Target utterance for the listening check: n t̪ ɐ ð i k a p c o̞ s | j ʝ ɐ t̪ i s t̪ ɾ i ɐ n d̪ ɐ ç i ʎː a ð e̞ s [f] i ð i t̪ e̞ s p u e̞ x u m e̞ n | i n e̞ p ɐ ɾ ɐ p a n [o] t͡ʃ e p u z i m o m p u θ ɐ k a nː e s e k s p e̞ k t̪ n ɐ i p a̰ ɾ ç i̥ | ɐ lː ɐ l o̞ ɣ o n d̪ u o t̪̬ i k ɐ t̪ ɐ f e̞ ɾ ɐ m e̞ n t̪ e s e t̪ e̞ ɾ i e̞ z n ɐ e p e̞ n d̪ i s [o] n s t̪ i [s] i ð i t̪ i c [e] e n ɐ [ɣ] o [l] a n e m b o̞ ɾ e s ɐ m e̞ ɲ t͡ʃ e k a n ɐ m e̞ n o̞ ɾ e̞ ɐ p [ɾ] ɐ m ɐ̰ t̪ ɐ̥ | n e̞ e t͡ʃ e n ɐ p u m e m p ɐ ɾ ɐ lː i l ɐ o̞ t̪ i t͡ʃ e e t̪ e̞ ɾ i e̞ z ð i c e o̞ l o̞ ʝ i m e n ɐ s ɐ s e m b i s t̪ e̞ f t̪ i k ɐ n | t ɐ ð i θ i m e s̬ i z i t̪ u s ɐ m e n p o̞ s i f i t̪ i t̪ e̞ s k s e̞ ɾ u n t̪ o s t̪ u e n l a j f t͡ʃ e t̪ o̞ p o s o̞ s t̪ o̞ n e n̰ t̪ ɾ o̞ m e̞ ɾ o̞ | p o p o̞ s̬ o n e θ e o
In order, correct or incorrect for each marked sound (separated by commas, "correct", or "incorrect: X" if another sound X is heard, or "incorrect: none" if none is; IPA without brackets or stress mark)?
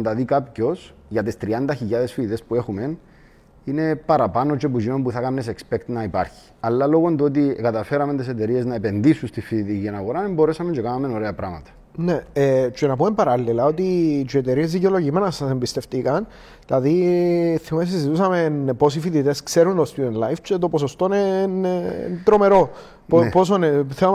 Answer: correct, correct, incorrect: u, incorrect: f, incorrect: i, correct, incorrect: ɾ, correct